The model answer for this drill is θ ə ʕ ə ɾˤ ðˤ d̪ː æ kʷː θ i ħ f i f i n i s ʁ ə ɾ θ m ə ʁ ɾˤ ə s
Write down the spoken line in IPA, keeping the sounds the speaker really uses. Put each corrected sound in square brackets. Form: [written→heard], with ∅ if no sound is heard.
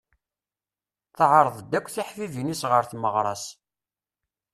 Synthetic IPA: θ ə ʕ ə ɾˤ ðˤ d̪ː æ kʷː θ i ħ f i [f→v] i n i s ʁ ə ɾ θ m ə ʁ ɾˤ [ə→ɑ] s